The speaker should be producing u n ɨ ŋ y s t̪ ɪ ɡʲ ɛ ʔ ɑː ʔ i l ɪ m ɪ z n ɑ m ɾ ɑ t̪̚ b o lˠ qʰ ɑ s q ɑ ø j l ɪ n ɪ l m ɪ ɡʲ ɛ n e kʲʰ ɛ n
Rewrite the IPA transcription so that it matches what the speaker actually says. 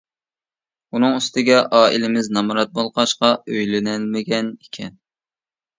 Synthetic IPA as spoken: u n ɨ ŋ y s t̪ ɪ ɡʲ ɛ ʔ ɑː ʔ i l ɪ m ɪ z n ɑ m ɾ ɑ t̪̚ b o lˠ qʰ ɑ ʃ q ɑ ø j l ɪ n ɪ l m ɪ ɡʲ ɛ n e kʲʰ ɛ n